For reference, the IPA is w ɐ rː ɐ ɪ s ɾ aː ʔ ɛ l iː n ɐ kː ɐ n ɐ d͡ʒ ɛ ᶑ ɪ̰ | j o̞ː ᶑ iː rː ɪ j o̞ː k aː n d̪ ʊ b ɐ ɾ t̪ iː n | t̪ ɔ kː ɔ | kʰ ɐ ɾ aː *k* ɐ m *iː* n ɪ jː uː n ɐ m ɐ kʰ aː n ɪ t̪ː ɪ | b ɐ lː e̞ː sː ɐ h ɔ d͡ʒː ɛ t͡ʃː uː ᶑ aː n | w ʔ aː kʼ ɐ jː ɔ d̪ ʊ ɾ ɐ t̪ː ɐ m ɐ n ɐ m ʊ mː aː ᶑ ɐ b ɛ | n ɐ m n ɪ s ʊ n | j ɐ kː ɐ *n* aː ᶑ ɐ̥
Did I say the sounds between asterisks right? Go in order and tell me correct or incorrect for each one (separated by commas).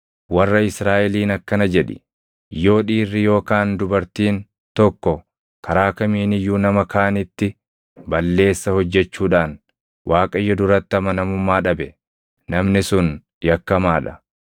correct, correct, incorrect